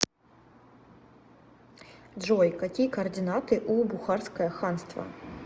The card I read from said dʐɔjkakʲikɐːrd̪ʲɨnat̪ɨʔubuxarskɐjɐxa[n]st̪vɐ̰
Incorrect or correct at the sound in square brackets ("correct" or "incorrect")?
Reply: correct